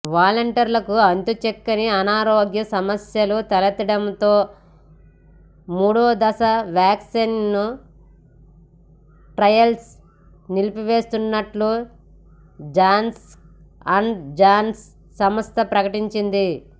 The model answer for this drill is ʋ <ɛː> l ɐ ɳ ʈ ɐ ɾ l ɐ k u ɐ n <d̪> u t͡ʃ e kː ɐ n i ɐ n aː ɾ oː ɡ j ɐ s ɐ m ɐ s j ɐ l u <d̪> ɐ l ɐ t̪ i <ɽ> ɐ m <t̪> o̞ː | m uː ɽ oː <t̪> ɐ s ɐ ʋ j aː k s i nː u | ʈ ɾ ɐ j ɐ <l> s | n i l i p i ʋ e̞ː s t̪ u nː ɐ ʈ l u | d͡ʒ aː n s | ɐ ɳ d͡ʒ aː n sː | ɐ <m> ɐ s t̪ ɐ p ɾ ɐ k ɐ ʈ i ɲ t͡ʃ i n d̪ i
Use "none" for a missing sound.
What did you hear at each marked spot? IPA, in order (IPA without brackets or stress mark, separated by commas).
aː, t̪, t̪, ɽ, t̪, d̪, l, m